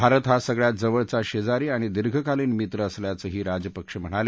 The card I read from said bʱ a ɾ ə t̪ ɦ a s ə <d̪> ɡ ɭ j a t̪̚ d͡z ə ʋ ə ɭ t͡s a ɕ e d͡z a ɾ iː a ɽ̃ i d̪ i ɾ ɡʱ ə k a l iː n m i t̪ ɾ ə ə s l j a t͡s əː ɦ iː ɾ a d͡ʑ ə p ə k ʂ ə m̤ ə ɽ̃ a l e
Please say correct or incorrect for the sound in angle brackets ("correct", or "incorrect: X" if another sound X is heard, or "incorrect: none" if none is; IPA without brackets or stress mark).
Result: incorrect: none